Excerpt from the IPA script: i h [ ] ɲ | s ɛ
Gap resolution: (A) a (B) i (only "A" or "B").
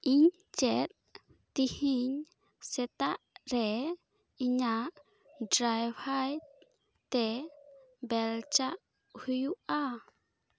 B